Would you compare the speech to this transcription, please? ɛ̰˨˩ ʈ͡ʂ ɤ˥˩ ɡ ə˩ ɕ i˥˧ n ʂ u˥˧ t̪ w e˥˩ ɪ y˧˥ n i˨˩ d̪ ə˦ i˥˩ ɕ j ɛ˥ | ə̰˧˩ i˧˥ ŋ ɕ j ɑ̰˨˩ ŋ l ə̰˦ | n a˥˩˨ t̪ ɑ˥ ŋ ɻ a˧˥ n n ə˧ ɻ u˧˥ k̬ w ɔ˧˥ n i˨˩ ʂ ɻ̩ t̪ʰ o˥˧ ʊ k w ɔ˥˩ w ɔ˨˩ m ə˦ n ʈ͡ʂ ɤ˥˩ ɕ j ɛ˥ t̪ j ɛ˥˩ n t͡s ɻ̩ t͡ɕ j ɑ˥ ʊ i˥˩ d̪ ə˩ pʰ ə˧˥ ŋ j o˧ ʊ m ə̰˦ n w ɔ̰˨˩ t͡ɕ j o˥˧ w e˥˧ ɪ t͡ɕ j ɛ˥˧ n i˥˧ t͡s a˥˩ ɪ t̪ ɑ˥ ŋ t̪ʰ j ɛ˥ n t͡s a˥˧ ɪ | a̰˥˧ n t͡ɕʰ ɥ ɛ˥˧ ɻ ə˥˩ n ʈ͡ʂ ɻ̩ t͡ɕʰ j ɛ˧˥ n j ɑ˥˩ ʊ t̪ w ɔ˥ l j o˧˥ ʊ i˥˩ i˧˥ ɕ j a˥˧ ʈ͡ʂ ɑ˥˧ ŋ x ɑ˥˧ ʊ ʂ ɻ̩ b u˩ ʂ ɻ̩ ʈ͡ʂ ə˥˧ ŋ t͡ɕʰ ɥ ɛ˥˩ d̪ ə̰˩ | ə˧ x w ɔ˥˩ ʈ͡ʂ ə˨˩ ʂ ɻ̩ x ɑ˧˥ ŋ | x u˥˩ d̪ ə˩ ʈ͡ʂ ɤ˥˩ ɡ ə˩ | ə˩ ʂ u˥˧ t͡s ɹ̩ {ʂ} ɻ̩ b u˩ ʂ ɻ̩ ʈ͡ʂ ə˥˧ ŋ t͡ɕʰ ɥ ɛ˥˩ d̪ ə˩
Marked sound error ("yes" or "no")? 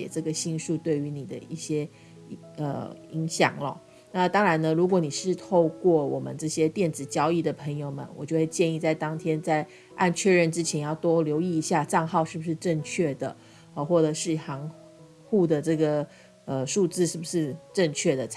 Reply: no